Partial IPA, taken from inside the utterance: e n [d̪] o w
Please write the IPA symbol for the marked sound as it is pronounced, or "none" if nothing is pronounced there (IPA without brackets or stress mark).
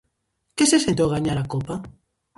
t̪